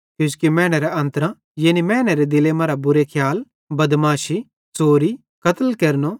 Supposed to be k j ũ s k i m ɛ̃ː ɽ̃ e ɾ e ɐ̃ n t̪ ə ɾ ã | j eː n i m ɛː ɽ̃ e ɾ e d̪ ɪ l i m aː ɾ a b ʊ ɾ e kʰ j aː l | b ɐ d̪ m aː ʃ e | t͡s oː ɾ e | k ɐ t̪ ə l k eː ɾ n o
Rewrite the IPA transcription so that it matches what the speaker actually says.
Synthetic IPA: k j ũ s k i m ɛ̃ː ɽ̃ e ɾ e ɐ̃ n t̪ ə ɾ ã | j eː n i m ɛː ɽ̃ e ɾ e d̪ ɪ l e m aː ɾ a b ʊ ɾ e kʰ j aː l | b ɐ d̪ m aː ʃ i | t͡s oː ɾ i | k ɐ t̪ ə l k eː ɾ n o